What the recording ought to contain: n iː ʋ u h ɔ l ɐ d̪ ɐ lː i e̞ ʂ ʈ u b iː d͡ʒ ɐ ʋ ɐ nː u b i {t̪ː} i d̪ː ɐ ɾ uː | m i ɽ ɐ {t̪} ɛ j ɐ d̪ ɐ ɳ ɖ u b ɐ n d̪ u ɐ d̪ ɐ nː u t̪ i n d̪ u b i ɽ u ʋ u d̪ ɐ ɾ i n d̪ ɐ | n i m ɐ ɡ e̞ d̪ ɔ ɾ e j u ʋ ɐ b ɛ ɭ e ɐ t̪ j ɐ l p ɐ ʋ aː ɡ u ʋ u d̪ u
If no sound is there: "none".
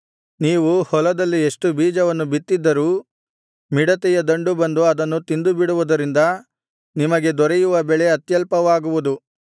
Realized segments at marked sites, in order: t̪ː, t̪

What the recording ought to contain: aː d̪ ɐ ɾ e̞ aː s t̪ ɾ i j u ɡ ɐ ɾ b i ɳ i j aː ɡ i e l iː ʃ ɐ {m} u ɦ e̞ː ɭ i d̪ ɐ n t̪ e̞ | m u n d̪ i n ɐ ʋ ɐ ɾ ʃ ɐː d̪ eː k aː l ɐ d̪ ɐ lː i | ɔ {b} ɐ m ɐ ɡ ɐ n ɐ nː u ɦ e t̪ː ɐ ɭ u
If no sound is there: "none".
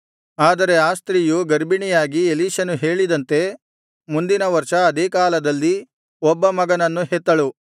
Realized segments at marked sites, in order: n, bː

